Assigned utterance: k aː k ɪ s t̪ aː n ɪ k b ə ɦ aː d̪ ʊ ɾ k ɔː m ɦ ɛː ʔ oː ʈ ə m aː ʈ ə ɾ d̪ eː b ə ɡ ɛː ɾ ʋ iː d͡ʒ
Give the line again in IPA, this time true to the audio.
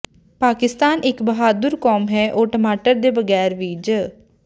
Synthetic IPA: p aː k ɪ s t̪ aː n ɪ k b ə ɦ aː d̪ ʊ ɾ k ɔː m ɦ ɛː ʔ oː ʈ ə m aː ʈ ə ɾ d̪ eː b ə ɡ ɛː ɾ ʋ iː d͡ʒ